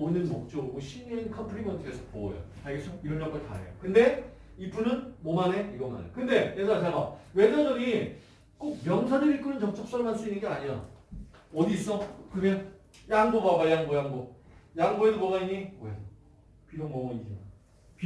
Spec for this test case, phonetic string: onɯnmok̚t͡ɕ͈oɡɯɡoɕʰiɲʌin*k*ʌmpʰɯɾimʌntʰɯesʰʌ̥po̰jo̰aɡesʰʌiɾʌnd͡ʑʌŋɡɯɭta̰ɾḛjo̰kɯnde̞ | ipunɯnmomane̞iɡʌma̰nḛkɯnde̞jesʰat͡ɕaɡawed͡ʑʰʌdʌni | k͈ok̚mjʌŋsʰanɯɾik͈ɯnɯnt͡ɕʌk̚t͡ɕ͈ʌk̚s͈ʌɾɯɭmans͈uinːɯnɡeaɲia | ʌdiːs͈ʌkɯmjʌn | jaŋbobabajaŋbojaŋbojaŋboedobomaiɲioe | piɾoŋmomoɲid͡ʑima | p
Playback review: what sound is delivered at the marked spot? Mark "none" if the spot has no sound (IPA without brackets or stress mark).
kʰ